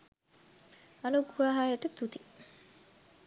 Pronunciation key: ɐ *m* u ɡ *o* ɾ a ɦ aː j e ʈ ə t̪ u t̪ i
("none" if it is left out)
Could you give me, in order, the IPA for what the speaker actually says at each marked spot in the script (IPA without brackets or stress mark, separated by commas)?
n, u